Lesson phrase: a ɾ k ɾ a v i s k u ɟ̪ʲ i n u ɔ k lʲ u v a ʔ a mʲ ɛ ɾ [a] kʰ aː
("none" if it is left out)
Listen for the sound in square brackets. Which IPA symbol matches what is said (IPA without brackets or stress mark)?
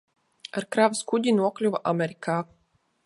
i